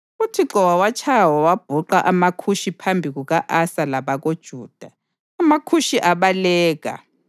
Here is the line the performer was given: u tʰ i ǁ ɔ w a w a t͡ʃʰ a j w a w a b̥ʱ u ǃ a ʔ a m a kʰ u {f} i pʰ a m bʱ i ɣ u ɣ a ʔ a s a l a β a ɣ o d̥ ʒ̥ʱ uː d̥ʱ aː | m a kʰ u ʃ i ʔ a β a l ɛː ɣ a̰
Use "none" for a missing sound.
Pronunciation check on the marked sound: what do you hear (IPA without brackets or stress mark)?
ʃ